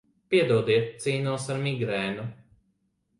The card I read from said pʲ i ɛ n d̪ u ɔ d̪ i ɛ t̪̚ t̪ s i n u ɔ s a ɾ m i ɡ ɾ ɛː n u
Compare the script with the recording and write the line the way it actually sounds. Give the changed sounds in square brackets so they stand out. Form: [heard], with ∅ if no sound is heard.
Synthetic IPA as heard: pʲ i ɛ [∅] d̪ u ɔ d̪ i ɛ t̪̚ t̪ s [iː] n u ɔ s a ɾ m i ɡ ɾ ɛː n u